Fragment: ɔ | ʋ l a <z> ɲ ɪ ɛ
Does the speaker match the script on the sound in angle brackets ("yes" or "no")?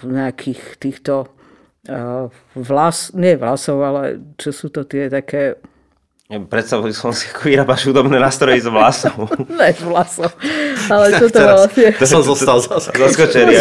no